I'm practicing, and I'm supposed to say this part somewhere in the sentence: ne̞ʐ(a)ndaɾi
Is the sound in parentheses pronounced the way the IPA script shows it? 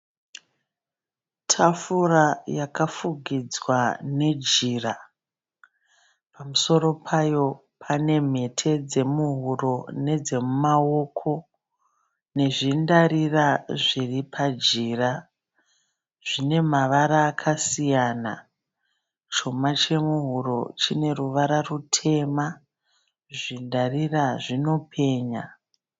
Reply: no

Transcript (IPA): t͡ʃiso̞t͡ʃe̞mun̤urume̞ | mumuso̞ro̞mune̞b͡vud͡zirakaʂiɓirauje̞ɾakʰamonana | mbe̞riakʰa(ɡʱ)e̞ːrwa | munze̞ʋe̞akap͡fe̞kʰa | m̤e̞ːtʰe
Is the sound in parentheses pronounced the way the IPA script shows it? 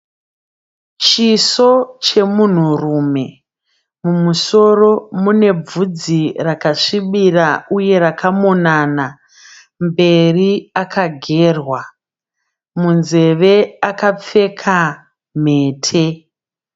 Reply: yes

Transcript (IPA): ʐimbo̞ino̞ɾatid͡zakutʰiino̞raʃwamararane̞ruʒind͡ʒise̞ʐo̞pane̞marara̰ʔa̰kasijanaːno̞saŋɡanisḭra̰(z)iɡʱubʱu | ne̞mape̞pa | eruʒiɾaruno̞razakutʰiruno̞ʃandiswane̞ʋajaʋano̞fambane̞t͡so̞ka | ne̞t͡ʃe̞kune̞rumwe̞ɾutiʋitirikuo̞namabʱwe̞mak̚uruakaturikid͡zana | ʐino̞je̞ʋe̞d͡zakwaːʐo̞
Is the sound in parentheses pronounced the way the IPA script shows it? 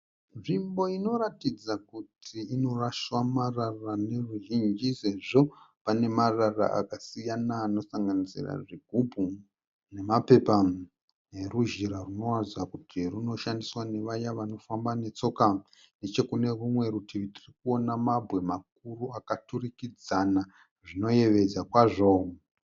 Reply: no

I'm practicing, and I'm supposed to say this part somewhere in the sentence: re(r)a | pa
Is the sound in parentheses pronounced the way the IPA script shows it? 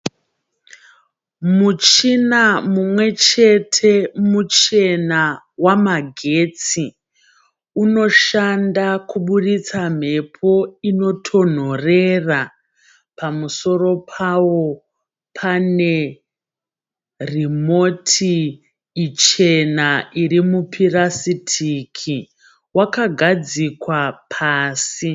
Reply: yes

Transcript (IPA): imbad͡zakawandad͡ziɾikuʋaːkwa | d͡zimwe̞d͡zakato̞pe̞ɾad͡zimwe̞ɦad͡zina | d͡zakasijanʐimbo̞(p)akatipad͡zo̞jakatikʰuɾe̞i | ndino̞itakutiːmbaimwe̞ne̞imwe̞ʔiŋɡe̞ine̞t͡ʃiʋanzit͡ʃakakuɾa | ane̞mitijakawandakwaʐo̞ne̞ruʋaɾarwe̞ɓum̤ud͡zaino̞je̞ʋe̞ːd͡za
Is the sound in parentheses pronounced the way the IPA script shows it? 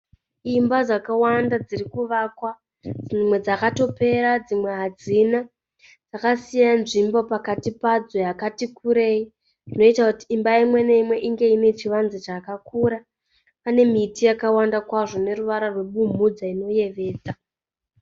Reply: yes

